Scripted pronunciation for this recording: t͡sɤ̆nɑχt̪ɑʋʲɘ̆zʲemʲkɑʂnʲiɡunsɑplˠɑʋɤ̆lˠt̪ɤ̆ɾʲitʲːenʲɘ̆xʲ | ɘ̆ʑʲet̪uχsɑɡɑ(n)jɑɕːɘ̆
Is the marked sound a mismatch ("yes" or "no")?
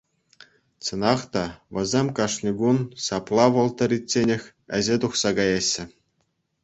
yes